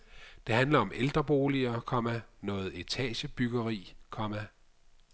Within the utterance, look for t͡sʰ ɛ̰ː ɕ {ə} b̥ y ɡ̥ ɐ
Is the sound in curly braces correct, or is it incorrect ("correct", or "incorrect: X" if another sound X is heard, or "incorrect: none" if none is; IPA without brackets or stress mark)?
correct